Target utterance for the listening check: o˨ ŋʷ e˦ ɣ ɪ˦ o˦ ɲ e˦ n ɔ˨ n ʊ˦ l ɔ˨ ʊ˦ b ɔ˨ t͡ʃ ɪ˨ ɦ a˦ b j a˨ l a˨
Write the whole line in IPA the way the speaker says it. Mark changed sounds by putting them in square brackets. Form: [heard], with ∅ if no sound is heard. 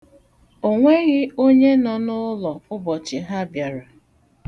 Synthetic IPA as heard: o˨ ŋʷ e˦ ɣ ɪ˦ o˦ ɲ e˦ n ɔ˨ n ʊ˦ l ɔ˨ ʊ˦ b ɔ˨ t͡ʃ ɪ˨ ɦ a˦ b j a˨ [ɾ] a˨